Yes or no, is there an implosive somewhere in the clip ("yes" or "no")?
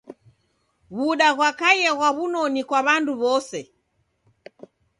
yes